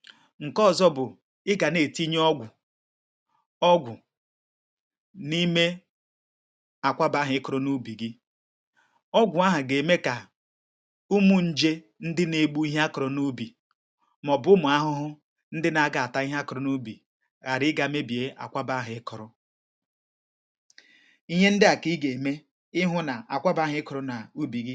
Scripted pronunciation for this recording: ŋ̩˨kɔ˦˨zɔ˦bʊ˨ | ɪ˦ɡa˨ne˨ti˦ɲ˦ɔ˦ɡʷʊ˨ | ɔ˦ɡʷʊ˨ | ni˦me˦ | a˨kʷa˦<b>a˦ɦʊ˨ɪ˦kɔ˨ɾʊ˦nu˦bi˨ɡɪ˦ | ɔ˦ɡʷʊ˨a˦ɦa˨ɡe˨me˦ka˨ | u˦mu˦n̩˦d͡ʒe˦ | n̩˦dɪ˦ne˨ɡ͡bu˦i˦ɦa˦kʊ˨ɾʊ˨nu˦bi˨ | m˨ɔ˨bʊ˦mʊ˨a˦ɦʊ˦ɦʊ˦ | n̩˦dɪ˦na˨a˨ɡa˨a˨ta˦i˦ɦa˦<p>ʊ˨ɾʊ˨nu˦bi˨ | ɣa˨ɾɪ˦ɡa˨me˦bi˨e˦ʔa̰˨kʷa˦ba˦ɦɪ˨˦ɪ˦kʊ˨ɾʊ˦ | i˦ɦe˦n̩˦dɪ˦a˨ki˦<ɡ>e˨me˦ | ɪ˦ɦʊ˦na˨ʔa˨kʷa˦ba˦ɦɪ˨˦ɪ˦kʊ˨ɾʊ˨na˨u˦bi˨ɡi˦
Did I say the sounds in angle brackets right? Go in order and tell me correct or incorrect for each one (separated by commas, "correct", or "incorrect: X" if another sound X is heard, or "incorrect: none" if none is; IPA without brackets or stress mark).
correct, incorrect: k, correct